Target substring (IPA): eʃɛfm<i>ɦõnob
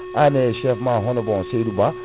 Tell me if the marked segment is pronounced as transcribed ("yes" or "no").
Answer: no